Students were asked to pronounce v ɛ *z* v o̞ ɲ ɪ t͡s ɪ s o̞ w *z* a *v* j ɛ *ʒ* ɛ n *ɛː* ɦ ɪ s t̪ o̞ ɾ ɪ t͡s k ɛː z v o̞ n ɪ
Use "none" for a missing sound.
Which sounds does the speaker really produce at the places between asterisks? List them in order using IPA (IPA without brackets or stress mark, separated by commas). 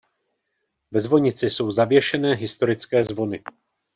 z, z, v, ʃ, ɛː